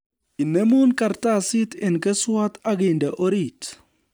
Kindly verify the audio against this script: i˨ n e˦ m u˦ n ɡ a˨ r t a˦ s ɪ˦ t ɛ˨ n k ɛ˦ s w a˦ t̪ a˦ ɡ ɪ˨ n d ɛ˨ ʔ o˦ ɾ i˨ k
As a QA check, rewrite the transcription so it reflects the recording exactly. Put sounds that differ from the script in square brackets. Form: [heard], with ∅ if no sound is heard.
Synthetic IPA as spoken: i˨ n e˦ m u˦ n [k] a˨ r t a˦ s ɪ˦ t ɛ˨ n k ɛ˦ s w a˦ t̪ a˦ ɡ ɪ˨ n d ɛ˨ ʔ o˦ ɾ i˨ [t]